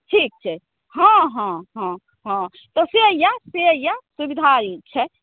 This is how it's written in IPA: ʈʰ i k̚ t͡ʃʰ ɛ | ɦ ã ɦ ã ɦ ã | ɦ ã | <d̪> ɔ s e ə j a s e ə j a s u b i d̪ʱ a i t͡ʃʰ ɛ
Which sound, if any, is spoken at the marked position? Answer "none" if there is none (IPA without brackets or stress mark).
t̪